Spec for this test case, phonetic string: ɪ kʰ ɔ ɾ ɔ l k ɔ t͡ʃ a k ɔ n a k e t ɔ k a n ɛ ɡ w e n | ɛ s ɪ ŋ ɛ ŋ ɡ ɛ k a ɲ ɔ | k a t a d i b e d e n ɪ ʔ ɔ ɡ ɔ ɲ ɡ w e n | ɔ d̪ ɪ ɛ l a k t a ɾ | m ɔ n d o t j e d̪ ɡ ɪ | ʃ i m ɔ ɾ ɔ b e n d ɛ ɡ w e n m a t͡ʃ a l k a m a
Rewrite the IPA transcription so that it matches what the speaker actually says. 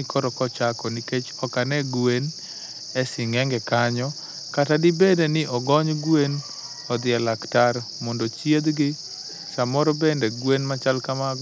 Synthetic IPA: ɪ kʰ ɔ ɾ ɔ k ɔ t͡ʃ a k ɔ n i k e t͡ʃ ɔ k a n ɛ ɡ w e n | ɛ s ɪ ŋ ɛ ŋ ɡ ɛ k a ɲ ɔ | k a t a d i b e d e n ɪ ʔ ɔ ɡ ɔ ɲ ɡ w e n | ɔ d̪ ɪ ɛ l a k t a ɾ | m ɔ n d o t͡ʃ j e d̪ ɡ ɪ | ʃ a m ɔ ɾ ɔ b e n d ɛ ɡ w e n m a t͡ʃ a l k a m a